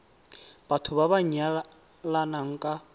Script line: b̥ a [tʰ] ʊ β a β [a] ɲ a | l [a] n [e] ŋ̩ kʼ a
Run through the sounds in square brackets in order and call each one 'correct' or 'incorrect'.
correct, correct, correct, incorrect

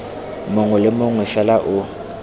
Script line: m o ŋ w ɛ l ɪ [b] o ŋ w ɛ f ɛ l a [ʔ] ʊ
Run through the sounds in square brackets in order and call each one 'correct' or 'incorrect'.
incorrect, correct

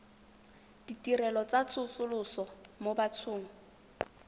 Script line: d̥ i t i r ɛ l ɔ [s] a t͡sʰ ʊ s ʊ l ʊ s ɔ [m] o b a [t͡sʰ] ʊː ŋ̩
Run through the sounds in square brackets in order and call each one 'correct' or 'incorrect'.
incorrect, correct, correct

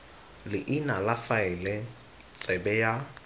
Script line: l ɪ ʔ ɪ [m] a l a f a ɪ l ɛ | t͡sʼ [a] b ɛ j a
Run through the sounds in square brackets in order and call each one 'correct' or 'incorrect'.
incorrect, incorrect

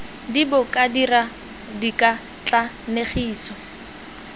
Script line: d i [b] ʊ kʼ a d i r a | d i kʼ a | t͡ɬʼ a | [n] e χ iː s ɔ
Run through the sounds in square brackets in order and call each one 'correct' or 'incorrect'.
correct, correct

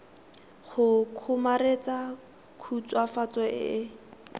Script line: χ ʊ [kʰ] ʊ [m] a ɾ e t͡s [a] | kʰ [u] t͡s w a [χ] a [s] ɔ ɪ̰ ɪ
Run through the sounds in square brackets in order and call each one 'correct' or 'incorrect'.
correct, correct, correct, correct, incorrect, incorrect

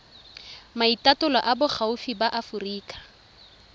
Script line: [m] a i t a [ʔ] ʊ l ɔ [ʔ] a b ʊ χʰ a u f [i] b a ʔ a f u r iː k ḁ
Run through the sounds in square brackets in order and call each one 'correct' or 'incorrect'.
correct, incorrect, correct, correct

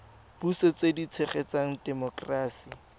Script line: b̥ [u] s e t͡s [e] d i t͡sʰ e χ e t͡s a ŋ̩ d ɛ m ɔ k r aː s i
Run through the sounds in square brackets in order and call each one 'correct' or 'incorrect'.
correct, correct

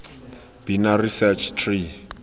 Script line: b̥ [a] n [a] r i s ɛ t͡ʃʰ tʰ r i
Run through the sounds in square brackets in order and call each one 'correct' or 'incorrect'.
incorrect, correct

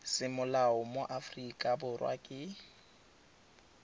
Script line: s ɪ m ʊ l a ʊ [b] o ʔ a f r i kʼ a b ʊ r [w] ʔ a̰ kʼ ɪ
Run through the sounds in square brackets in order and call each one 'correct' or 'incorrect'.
incorrect, correct

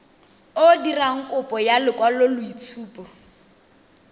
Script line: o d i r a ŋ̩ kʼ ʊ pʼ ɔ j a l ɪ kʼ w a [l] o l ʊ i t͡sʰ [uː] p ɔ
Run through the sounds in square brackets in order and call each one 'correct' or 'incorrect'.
correct, correct

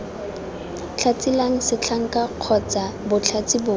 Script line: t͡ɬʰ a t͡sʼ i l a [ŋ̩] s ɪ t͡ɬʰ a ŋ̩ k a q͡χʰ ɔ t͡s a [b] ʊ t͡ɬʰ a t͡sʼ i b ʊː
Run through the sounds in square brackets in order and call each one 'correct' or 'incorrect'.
correct, correct

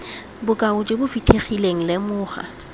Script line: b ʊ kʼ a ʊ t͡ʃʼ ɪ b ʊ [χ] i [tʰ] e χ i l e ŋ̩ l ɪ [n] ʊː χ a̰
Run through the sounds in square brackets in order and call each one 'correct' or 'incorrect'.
incorrect, correct, incorrect

